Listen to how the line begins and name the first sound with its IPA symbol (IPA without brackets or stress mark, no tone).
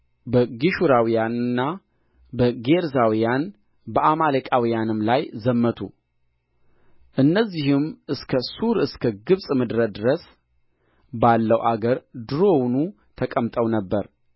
b